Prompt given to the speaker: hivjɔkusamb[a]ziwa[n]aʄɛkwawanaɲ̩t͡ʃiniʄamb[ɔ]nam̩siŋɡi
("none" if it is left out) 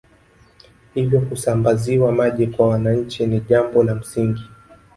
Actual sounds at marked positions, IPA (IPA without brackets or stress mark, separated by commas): a, m, ɔ